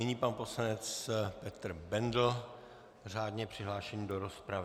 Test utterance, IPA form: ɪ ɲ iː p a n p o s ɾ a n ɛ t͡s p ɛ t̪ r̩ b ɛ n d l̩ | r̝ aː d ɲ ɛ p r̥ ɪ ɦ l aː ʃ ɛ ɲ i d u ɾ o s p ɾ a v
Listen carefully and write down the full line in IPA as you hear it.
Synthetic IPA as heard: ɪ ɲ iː p a n p o s l a n ɛ t͡s p ɛ t̪ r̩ b ɛ n d l̩ | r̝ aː d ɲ ɛ p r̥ ɪ ɦ l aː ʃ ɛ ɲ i d o ɾ o s p ɾ a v